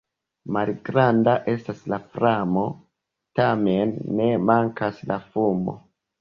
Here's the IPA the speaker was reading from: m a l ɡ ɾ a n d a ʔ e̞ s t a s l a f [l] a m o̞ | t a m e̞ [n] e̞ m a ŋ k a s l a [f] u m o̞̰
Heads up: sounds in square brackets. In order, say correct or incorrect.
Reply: incorrect, incorrect, correct

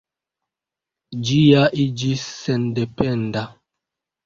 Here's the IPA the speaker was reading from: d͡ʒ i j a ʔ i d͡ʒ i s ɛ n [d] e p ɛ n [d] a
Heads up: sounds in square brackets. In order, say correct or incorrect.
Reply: correct, correct

